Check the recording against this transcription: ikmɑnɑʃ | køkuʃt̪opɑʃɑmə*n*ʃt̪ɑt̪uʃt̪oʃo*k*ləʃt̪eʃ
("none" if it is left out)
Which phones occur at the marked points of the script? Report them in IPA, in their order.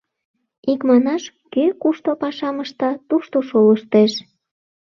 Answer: none, none

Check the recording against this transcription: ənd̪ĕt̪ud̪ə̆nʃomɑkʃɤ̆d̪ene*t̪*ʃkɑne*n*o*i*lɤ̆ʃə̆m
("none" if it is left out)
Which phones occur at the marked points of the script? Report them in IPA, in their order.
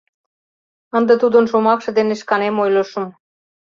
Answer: none, m, j

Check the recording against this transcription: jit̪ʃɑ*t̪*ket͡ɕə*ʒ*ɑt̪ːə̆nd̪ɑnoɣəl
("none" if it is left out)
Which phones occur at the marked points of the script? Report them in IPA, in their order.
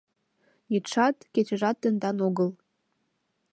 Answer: t̪, ʒ

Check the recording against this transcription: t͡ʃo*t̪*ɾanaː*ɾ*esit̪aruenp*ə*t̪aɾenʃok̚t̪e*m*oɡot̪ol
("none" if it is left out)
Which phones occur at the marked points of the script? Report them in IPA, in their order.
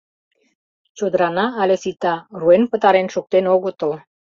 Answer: d̪, l, ə, n

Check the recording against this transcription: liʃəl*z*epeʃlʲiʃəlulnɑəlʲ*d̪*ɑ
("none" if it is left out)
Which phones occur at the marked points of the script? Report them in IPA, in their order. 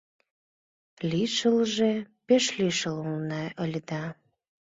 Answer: ʒ, d̪

